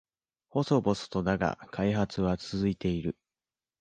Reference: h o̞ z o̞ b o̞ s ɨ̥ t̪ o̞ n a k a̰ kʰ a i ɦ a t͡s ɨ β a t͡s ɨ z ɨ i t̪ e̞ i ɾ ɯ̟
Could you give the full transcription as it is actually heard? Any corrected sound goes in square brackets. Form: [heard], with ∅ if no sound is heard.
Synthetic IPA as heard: h o̞ [s] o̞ b o̞ s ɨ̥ t̪ o̞ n a [ɡ] a̰ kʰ a i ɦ a t͡s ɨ β a t͡s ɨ z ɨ i t̪ e̞ i ɾ ɯ̟